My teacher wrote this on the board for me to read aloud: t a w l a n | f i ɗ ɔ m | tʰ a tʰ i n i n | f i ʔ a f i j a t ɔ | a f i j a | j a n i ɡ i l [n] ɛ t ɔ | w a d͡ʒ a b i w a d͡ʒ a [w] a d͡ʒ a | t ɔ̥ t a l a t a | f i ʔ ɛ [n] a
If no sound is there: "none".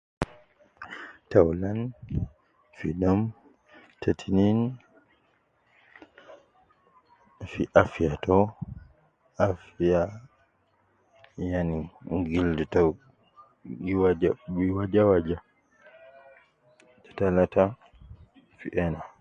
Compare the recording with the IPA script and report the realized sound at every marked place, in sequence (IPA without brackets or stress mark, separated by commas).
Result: d, w, n